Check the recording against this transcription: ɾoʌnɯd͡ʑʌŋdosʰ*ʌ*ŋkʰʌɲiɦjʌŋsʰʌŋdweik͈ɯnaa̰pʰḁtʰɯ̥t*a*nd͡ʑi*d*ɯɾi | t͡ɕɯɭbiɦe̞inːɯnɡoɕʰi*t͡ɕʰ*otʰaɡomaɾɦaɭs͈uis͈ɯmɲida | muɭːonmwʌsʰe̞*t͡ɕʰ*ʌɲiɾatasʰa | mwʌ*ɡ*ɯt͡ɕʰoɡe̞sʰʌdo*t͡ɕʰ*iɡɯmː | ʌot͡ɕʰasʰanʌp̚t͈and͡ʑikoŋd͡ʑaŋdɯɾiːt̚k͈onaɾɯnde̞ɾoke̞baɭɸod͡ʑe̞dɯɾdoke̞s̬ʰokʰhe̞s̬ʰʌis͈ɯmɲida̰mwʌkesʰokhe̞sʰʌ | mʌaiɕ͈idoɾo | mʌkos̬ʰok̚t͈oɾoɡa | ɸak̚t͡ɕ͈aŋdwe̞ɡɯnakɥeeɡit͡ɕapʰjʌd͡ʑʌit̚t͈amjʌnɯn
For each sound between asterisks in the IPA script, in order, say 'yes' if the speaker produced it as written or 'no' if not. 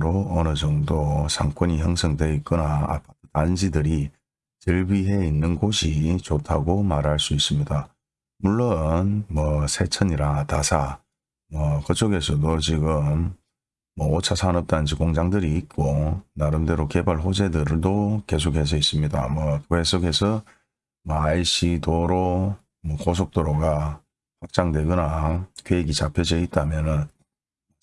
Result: no, yes, yes, no, yes, no, no

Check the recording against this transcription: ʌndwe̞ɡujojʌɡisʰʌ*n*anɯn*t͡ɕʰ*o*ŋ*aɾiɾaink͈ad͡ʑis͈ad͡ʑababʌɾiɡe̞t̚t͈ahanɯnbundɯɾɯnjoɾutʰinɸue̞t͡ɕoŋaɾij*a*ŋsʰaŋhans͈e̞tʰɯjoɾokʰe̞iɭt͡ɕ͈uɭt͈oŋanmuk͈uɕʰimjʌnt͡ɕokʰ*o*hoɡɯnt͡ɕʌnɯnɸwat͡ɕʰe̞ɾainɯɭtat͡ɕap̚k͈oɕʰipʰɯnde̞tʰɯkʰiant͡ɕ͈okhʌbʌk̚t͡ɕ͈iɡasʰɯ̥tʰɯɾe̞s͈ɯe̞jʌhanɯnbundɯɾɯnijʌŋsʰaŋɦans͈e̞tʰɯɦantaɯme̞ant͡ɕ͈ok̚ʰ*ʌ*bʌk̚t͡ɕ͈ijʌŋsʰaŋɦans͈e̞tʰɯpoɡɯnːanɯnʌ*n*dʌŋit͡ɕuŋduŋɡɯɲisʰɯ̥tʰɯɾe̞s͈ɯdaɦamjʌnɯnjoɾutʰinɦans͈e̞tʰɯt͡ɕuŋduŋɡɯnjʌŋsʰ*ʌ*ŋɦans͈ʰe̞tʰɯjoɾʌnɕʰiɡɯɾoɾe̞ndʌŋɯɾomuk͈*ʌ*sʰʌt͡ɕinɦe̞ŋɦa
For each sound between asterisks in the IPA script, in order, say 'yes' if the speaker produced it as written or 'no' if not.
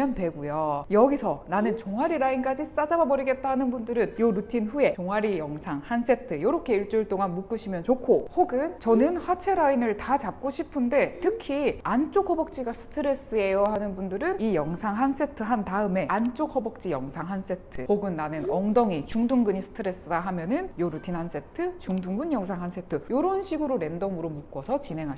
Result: yes, no, yes, no, yes, yes, no, no, yes

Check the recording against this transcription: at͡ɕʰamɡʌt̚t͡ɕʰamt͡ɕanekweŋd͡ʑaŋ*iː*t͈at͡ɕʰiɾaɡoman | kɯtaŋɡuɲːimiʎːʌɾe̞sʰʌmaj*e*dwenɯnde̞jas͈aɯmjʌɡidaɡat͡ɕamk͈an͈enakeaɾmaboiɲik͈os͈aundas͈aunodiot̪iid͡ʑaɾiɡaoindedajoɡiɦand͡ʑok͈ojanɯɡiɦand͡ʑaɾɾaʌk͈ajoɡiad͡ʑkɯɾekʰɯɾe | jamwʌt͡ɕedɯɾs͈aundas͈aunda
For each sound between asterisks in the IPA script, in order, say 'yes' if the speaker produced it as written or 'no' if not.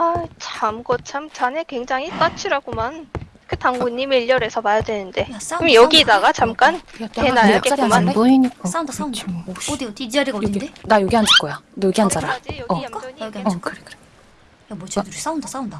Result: no, no

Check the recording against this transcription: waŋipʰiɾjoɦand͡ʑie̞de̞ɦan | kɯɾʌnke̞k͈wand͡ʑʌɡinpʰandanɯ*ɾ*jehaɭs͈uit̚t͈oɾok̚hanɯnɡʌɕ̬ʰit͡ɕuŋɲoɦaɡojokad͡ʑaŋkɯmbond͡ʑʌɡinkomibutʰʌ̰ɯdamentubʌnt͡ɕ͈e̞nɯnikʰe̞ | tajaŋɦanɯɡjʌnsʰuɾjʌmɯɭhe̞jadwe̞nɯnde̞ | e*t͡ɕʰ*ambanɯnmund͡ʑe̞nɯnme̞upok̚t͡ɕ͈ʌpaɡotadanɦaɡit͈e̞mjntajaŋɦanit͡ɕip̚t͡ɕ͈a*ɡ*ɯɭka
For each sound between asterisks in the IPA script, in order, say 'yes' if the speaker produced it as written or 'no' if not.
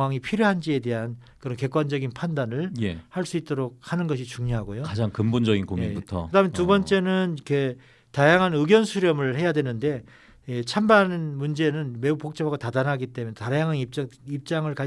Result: no, yes, no

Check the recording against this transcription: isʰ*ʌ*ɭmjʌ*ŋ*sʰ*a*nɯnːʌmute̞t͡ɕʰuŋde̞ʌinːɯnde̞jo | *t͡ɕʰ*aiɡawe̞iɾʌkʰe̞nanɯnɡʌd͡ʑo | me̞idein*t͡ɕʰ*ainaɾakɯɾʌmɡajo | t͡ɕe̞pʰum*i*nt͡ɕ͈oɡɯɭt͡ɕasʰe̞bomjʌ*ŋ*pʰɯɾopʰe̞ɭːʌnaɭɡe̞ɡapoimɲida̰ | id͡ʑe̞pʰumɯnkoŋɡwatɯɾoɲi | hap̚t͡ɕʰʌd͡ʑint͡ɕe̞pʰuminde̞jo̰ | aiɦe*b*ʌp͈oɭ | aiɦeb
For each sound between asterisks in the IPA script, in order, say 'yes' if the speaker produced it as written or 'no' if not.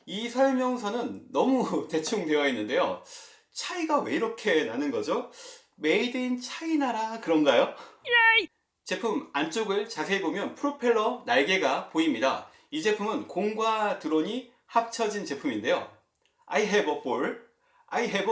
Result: yes, yes, no, yes, yes, no, no, yes

